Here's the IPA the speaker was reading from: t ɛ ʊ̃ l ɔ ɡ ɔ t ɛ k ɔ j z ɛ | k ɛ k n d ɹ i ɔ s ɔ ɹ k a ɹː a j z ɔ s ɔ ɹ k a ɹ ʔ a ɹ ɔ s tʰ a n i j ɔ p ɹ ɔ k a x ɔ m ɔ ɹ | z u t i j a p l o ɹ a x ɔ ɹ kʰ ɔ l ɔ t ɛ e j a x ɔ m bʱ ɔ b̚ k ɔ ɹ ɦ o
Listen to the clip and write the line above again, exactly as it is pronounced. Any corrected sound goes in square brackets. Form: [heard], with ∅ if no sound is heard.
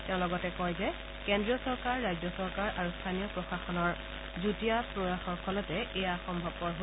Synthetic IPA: t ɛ ʊ̃ l ɔ ɡ ɔ t ɛ k ɔ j z ɛ | k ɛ [∅] n d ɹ i ɔ s ɔ ɹ k a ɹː a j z ɔ s ɔ ɹ k a ɹ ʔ a ɹ [u] s tʰ a n i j ɔ p ɹ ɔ [x] a x ɔ [n] ɔ ɹ | z u t i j a p [ɹ] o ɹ a x ɔ ɹ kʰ ɔ l ɔ t ɛ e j a x ɔ m bʱ ɔ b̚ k ɔ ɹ ɦ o